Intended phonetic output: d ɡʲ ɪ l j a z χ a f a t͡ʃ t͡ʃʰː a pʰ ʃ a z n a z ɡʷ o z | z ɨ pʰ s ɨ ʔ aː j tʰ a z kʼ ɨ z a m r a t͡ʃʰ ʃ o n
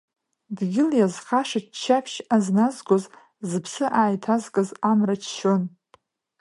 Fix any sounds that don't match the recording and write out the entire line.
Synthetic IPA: d ɡʲ ɪ l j a z χ a ʂ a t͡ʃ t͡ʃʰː a pʰ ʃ a z n a z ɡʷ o z | z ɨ pʰ s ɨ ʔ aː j tʰ a z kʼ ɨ z a m r a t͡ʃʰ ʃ o n